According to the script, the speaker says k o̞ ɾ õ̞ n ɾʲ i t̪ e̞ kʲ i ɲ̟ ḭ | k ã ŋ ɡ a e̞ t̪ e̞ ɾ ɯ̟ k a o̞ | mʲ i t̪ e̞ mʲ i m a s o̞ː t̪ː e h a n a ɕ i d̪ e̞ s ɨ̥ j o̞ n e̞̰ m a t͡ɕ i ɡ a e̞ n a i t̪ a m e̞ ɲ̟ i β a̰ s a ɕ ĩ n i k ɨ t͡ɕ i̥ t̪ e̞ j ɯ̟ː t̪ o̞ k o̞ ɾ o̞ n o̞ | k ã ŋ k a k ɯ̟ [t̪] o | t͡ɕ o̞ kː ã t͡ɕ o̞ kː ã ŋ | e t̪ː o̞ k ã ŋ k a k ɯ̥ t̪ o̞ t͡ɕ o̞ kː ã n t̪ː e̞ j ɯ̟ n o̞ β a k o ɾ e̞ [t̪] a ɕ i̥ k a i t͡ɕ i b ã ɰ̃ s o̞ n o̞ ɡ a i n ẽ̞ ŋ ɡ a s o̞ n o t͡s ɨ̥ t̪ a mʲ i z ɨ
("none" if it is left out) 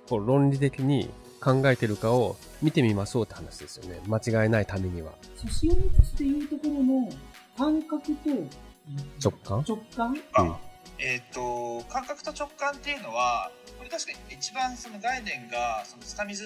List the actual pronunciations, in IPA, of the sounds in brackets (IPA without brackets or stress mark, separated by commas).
t̪, t̪